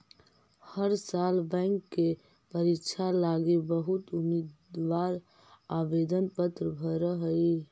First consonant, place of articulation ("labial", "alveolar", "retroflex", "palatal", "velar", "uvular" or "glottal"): glottal